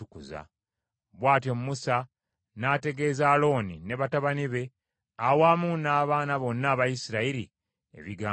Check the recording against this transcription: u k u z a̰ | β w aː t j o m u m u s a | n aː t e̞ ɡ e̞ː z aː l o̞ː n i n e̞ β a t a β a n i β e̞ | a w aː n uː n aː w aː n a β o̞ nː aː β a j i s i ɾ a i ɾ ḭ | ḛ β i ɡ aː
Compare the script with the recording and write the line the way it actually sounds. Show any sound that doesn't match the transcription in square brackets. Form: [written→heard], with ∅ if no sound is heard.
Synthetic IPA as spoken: u k u z a̰ | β w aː t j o m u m u s a | n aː t e̞ ɡ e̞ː z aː l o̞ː n i n e̞ β a t a β a n i β e̞ | a w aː [n→m] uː n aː [w→β] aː n a β o̞ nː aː β a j i s i ɾ a i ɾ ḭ | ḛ β i ɡ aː